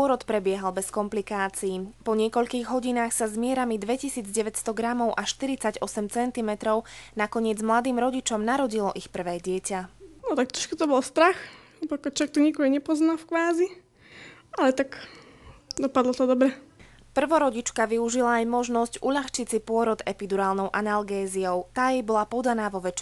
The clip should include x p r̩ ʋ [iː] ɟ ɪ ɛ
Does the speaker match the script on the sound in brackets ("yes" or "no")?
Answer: no